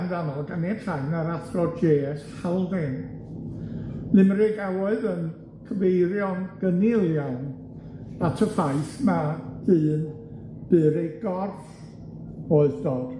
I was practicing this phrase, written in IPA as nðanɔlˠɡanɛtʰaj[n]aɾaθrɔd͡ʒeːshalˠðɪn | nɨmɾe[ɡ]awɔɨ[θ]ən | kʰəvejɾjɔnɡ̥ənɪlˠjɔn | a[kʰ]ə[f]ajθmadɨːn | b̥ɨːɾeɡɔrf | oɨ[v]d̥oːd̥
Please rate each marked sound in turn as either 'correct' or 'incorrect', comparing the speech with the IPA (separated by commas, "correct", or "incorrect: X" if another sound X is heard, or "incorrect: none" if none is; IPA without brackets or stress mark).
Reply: correct, correct, incorrect: ð, incorrect: tʰ, correct, incorrect: ð